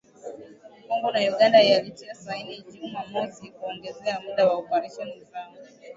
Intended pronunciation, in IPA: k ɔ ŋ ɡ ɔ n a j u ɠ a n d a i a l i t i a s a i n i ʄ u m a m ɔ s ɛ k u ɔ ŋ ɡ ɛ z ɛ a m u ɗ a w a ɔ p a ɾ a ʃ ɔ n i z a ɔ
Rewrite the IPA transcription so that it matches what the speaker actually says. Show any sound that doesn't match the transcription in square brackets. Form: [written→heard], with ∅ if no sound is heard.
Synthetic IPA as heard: k ɔ ŋ ɡ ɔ n a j u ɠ a n d a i a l i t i a s a i n i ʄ u m a m ɔ s [ɛ→i] k u ɔ ŋ ɡ ɛ z ɛ a m u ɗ a w a ɔ p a ɾ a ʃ ɔ n i z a ɔ